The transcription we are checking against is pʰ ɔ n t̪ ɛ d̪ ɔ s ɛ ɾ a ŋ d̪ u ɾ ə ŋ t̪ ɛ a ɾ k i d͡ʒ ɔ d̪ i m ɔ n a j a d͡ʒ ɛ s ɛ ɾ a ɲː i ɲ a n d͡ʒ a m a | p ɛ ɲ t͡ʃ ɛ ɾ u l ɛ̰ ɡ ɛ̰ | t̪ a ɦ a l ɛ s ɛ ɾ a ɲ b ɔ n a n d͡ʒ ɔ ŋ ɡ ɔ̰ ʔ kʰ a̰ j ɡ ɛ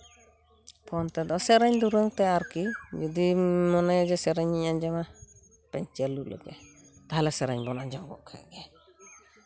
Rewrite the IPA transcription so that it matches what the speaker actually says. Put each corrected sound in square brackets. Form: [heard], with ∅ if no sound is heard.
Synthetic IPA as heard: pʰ ɔ n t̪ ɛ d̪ ɔ s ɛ ɾ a [ɲ] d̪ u ɾ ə ŋ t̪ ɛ a ɾ k i d͡ʒ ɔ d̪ i m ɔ n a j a d͡ʒ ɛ s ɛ ɾ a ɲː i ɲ a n d͡ʒ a m a | p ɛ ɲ t͡ʃ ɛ [l] u l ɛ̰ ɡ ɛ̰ | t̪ a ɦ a l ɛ s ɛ ɾ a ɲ b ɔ n a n d͡ʒ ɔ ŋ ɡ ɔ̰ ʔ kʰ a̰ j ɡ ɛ